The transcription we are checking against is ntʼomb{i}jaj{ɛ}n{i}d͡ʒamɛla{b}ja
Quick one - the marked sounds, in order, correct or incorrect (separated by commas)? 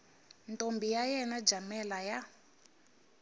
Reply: correct, correct, incorrect, incorrect